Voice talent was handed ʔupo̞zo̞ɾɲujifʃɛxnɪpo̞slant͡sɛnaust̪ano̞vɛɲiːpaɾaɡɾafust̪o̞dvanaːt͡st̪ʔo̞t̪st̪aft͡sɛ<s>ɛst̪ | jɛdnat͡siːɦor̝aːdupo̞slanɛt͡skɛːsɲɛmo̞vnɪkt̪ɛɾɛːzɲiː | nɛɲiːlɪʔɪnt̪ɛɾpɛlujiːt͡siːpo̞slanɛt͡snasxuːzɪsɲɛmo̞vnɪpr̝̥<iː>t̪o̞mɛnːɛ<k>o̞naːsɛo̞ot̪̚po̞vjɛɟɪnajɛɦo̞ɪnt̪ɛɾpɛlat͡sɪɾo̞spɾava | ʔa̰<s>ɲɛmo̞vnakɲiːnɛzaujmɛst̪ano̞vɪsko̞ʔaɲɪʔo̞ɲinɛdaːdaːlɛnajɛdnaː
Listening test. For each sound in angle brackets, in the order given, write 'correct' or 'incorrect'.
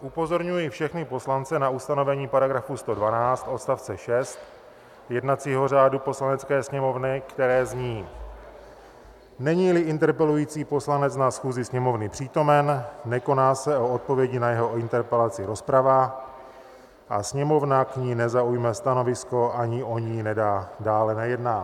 incorrect: ʃ, correct, correct, correct

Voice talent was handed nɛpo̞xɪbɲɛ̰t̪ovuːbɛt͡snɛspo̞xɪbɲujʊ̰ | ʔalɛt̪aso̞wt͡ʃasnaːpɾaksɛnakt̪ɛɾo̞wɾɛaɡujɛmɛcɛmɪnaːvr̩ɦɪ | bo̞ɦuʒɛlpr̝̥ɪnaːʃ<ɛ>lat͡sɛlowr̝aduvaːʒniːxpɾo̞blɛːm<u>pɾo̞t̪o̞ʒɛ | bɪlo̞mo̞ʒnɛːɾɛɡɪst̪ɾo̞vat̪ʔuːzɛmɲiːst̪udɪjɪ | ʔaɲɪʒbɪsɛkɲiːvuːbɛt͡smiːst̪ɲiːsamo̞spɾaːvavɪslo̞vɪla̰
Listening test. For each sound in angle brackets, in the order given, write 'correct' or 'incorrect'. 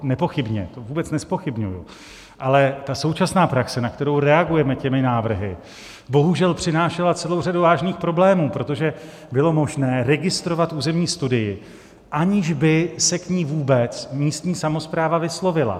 correct, incorrect: uː

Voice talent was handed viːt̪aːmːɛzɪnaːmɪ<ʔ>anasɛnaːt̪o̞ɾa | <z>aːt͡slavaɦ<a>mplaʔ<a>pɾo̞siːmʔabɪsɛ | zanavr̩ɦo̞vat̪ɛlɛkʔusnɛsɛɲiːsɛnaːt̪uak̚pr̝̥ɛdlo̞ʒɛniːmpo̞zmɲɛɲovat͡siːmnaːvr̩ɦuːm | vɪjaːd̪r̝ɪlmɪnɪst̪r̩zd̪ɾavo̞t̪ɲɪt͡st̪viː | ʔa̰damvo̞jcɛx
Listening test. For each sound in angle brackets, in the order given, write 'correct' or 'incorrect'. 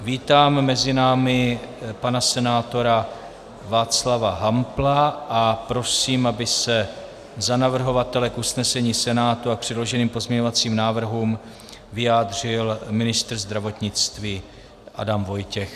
incorrect: p, incorrect: v, correct, correct

